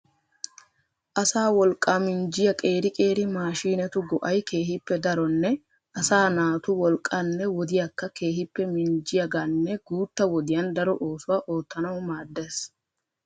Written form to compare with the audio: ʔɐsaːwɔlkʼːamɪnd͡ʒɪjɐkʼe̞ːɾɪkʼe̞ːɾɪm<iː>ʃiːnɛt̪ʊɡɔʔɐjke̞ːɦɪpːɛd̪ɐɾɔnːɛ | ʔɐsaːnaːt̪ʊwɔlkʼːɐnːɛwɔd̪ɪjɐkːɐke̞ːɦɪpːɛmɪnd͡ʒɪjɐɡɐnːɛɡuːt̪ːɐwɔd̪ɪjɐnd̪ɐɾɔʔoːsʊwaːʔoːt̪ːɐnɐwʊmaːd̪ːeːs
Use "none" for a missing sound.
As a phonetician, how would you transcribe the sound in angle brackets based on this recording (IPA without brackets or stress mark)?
aː